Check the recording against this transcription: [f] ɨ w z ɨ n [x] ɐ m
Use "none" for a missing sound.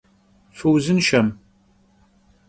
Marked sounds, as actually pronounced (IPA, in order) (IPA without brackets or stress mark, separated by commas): f, ʃ